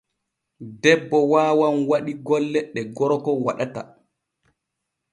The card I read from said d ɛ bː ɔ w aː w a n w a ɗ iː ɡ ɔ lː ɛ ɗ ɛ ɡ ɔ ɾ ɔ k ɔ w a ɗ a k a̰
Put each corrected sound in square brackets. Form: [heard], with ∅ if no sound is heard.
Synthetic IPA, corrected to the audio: d ɛ bː ɔ w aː w a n w a ɗ [i] ɡ ɔ lː ɛ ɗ ɛ ɡ ɔ ɾ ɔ k ɔ w a ɗ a [t] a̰